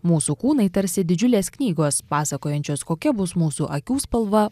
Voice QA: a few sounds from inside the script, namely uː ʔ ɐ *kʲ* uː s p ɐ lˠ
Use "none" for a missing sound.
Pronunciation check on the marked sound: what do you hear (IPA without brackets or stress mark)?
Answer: kʲ